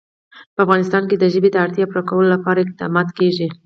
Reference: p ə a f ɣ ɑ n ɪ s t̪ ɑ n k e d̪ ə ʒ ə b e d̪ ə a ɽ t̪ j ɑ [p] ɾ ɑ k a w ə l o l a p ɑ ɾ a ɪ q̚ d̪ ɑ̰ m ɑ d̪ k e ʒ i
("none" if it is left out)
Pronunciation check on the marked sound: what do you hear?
p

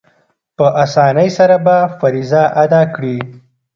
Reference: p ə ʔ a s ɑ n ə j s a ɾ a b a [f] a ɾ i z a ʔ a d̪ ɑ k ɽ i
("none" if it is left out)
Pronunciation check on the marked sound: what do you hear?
f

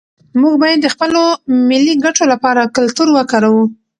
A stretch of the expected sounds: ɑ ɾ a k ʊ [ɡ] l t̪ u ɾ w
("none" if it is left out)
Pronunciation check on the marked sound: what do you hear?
none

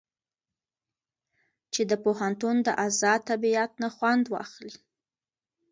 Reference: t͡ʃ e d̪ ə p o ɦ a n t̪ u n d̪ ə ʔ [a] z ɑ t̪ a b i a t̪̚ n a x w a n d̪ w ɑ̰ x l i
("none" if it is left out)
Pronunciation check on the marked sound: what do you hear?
a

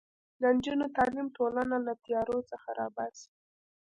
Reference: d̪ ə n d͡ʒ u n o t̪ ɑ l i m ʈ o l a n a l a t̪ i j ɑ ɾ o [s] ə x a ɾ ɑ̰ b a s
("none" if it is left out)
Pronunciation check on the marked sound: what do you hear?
t͡s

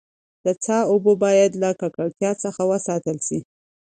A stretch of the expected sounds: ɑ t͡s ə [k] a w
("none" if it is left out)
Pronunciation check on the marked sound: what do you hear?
x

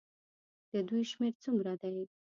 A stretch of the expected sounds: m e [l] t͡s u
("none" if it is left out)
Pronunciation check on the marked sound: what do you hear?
ɾ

